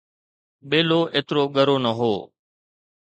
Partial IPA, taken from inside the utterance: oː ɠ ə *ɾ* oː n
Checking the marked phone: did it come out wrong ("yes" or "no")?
no